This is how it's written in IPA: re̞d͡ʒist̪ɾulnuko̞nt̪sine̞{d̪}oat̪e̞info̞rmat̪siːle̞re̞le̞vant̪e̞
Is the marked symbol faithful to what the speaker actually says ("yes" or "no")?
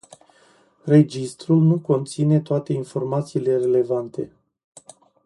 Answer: no